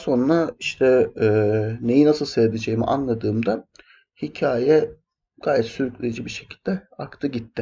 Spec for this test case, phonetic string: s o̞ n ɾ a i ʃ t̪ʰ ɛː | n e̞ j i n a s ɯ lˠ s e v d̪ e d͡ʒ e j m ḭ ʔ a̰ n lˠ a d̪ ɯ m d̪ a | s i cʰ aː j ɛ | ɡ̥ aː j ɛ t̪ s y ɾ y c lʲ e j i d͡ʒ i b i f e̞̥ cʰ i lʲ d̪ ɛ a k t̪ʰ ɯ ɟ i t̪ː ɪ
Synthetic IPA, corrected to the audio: s o̞ n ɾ a i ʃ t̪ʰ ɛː | n e̞ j i n a s ɯ lˠ s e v d̪ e d͡ʒ e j m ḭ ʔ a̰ n lˠ a d̪ ɯː m d̪ a | h i cʰ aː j ɛ | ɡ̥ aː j ɛ t̪ s y ɾ y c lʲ e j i d͡ʒ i b i ʃ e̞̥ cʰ i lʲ d̪ ɛ a k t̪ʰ ɯ ɟ i t̪ː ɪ